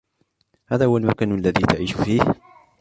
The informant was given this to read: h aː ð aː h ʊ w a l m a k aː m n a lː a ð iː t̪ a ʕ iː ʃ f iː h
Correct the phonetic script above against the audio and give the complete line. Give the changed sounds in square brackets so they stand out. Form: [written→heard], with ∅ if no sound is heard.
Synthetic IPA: h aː ð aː h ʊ w a l m a k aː [m→∅] n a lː a ð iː t̪ a ʕ iː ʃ f iː h